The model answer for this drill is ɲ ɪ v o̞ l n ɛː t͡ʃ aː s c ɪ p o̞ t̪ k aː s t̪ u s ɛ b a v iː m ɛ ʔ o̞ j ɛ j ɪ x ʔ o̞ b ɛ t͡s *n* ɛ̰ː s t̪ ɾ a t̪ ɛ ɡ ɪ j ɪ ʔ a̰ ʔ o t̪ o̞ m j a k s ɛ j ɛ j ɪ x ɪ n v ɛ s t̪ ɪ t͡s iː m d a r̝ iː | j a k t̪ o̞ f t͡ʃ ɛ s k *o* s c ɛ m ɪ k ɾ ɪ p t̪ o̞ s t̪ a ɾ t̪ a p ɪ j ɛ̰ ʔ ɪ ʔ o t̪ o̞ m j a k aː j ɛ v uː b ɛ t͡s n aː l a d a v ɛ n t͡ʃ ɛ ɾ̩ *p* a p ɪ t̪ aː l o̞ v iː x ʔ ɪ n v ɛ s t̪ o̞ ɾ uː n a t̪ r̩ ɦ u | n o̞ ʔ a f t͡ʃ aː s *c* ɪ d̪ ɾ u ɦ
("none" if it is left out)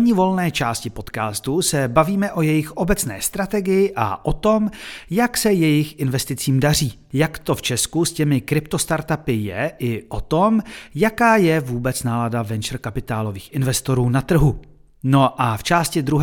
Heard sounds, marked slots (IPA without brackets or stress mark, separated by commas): n, u, k, c